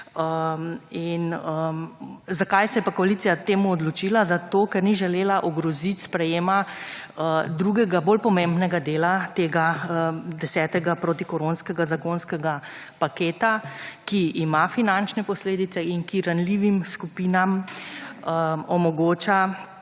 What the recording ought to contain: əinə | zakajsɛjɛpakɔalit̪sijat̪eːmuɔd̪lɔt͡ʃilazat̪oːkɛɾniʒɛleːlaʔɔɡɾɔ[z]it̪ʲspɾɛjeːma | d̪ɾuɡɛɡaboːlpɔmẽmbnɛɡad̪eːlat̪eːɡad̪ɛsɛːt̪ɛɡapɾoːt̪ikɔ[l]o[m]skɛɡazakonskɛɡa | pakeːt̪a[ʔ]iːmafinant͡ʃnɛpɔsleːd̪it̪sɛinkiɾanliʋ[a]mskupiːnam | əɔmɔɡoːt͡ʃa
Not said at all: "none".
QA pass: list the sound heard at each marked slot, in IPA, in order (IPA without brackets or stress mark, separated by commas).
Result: z, ɾ, n, k, i